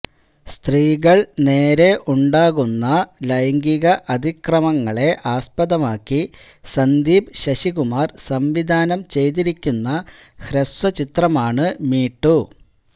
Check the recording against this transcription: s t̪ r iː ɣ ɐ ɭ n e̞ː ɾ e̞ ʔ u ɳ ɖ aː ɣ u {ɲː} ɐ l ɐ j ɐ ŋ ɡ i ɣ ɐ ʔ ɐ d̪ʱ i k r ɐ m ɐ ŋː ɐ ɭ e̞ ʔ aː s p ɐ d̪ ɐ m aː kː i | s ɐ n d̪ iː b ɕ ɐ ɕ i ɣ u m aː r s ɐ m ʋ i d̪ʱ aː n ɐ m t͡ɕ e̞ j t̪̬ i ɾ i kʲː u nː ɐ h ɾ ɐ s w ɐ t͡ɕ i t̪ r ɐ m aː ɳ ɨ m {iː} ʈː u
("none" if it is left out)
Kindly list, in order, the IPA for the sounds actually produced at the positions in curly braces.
nː, iː

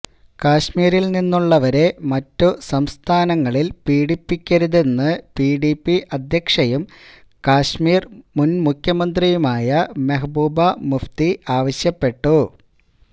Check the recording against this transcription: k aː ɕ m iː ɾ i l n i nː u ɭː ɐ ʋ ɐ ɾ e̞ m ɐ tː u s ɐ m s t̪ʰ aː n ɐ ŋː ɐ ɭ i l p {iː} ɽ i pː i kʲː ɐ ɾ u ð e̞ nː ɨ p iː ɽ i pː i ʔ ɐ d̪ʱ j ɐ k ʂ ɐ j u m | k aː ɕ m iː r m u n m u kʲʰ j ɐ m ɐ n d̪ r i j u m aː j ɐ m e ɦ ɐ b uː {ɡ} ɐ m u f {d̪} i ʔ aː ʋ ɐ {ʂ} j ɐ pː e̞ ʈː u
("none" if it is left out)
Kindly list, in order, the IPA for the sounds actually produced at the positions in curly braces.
iː, b, t̪, ɕ

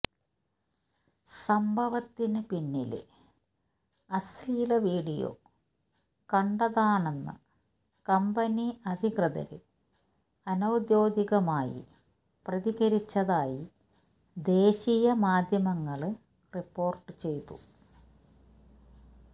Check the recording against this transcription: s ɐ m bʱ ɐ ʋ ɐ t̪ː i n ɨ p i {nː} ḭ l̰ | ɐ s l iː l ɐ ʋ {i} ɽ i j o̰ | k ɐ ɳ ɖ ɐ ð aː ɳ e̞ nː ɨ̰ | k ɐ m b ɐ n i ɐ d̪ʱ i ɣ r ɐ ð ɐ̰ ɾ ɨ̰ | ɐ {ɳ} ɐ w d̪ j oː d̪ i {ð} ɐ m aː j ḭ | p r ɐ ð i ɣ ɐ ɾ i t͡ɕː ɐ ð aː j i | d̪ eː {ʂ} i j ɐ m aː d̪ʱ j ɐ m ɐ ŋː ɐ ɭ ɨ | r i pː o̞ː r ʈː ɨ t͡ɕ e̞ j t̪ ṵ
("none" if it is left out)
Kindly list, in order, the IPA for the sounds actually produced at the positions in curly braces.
nː, iː, n, ɣ, ɕ

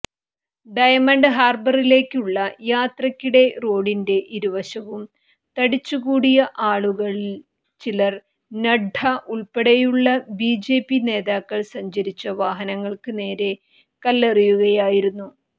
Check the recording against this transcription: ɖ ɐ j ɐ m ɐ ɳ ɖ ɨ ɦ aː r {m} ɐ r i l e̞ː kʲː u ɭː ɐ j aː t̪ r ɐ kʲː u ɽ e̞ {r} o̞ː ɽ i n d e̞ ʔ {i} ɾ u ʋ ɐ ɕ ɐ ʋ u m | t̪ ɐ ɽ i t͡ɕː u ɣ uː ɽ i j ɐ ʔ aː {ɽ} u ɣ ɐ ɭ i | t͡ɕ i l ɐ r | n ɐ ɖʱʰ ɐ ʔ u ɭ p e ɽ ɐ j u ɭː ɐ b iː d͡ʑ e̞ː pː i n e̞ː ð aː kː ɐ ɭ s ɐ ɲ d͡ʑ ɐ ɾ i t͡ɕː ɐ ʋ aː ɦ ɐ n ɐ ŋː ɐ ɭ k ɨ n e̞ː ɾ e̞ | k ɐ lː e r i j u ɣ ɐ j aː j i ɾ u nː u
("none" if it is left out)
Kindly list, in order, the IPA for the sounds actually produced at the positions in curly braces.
b, r, i, ɭ

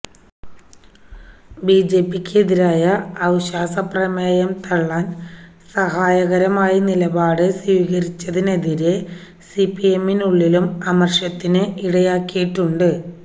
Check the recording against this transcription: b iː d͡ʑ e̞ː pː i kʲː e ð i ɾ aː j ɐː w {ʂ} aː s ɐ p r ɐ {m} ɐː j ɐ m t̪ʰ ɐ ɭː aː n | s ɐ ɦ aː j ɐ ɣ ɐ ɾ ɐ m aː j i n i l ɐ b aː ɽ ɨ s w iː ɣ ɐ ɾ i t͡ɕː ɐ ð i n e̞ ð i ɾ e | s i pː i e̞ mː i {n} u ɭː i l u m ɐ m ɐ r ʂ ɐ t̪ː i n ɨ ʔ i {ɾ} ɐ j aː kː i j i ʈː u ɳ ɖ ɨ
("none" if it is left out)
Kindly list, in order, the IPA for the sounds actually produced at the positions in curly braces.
ɕ, m, n, ɽ

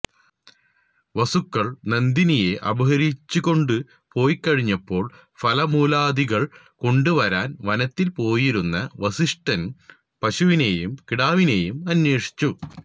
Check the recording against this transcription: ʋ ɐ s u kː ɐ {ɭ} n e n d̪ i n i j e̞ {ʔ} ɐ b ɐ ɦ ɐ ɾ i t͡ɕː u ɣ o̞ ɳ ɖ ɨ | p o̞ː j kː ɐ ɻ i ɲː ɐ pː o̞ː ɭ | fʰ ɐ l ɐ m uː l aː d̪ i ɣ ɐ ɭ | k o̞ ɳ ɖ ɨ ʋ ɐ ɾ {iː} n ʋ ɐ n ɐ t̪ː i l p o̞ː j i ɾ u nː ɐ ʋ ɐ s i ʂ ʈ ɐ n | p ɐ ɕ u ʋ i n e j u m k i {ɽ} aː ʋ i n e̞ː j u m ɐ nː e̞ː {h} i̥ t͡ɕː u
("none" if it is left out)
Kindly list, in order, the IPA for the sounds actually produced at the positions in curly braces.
ɭ, ʔ, aː, ɽ, ʂ

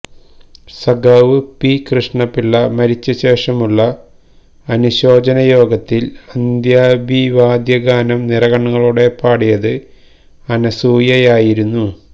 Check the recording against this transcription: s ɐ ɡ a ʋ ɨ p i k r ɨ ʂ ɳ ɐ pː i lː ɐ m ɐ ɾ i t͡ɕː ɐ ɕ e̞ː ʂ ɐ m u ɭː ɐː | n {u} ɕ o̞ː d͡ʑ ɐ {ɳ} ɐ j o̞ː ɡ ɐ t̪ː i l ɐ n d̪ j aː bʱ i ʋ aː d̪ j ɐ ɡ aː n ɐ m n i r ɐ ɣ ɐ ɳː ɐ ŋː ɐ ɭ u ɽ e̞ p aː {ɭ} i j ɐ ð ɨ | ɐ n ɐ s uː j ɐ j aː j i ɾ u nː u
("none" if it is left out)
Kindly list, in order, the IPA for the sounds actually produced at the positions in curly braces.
u, n, ɽ

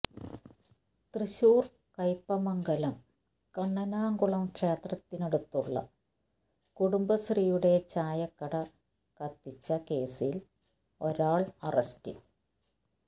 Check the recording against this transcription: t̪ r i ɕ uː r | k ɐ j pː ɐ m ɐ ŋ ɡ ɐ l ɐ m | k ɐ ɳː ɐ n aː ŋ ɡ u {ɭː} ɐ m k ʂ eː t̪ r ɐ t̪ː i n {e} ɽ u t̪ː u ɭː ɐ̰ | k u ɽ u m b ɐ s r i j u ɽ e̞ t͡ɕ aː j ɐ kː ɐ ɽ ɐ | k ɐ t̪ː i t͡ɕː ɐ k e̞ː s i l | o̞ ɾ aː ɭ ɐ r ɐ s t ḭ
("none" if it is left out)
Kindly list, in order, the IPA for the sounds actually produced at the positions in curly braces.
ɭ, e

